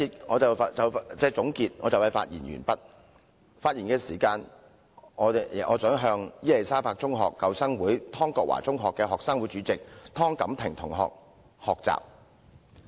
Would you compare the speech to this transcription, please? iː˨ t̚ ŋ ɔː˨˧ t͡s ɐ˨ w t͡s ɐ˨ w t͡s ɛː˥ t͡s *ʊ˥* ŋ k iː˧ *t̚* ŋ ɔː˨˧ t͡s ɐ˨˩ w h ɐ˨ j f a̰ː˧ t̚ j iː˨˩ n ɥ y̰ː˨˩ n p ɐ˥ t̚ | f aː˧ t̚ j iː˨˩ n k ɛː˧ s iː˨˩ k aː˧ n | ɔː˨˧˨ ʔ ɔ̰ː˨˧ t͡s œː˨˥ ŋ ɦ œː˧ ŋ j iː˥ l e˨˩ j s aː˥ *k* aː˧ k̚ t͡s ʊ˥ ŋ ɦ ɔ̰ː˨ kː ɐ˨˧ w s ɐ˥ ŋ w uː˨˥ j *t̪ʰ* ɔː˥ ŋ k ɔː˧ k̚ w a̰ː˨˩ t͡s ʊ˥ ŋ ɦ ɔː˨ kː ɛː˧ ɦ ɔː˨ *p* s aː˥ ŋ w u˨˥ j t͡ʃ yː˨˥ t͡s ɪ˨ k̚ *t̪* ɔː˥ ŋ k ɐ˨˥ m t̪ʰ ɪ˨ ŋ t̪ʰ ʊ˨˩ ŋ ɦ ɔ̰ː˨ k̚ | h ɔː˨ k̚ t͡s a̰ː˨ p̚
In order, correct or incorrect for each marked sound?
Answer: incorrect: ʊ˨˥, correct, incorrect: p, correct, incorrect: k, incorrect: t̪ʰ

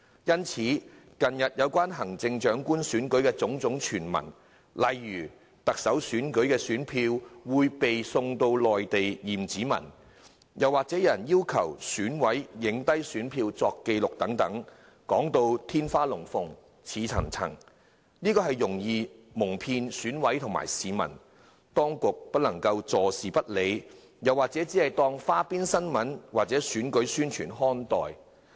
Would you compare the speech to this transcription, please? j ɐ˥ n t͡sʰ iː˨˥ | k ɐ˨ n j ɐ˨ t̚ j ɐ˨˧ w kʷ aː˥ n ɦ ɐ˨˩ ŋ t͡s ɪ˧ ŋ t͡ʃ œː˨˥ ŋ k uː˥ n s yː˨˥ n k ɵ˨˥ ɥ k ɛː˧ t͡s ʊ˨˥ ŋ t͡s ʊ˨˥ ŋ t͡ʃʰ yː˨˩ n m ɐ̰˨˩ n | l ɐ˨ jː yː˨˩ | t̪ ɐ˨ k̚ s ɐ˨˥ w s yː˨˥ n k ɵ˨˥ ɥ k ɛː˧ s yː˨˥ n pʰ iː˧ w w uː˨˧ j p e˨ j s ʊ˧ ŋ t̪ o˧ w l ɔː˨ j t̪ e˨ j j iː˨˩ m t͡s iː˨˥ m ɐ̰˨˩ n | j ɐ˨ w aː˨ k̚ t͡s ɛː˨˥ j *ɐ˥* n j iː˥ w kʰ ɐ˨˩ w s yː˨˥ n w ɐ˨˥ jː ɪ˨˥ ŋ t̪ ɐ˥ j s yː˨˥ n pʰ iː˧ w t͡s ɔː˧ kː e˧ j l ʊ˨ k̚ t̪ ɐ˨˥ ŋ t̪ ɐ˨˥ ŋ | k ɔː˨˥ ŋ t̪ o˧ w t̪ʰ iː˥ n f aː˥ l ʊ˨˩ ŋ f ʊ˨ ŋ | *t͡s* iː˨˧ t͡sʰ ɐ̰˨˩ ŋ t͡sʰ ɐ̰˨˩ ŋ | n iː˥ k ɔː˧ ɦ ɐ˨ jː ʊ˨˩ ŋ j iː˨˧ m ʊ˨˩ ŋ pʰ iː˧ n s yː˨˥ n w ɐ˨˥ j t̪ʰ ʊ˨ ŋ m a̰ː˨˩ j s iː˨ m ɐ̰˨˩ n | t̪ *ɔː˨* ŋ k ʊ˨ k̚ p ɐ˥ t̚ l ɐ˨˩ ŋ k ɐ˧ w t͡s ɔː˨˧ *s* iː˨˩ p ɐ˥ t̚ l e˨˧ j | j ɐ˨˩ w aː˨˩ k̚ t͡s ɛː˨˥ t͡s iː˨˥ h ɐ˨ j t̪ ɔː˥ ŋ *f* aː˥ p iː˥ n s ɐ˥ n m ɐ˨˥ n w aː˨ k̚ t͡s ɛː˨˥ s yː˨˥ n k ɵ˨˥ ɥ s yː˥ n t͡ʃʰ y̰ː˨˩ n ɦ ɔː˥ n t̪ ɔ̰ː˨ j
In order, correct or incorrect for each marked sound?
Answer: incorrect: ɐ˨˩, incorrect: t͡sʰ, incorrect: ɔː˥, correct, correct

